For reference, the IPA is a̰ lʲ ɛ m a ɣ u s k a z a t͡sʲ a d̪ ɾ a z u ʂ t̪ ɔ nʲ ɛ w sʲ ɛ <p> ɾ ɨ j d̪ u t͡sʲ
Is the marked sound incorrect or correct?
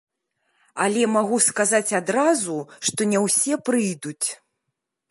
correct